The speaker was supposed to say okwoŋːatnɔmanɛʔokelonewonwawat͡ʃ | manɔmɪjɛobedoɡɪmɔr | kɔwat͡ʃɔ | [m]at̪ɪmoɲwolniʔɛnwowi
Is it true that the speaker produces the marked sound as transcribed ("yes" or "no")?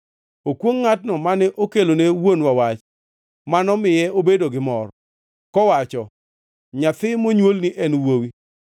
no